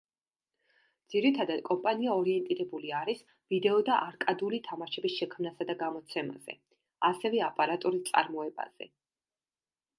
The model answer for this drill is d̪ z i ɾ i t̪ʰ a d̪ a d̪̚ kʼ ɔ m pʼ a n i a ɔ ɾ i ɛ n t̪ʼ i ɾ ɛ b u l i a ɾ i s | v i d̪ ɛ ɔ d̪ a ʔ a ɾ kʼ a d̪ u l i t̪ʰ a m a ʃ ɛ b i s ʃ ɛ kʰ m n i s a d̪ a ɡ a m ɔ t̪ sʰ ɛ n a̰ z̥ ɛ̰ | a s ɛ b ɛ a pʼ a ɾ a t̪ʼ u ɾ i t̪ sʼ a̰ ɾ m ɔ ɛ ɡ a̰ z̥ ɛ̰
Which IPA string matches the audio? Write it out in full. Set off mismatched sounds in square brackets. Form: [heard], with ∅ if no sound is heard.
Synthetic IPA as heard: d̪ z i ɾ i t̪ʰ a d̪ a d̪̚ kʼ ɔ m pʼ a n i a ɔ ɾ i ɛ n t̪ʼ i ɾ ɛ b u l i a ɾ i s | v i d̪ ɛ ɔ d̪ a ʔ a ɾ kʼ a d̪ u l i t̪ʰ a m a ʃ ɛ b i s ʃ ɛ kʰ m n [a] s a d̪ a ɡ a m ɔ t̪ sʰ ɛ [m] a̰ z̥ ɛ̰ | a s ɛ [v] ɛ a pʼ a ɾ a t̪ʼ u ɾ i t̪ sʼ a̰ ɾ m ɔ ɛ [b] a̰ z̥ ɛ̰